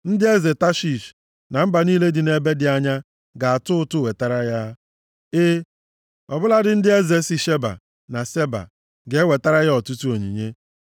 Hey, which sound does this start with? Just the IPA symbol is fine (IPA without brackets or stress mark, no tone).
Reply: n̩